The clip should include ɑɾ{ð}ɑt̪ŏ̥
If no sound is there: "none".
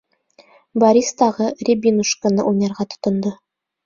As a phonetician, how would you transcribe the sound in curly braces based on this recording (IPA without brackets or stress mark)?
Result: ʁ